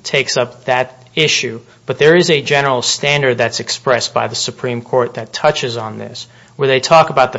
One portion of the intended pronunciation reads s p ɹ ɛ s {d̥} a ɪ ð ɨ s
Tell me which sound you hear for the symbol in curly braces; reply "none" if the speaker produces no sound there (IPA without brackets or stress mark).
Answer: b̥